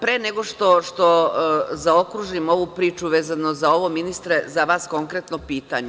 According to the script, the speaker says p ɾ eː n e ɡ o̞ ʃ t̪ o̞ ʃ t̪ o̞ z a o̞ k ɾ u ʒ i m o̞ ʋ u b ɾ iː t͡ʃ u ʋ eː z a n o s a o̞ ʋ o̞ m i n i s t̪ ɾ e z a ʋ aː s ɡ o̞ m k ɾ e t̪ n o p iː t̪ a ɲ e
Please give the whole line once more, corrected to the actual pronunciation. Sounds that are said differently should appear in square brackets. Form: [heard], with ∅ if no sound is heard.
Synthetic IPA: p ɾ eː n e ɡ o̞ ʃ t̪ o̞ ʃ t̪ o̞ z a o̞ k ɾ u ʒ i m o̞ ʋ u [p] ɾ iː t͡ʃ u ʋ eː z a n o [z] a o̞ ʋ o̞ m i n i s t̪ ɾ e z a ʋ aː s [k] o̞ [ŋ] k ɾ e t̪ n o p iː t̪ a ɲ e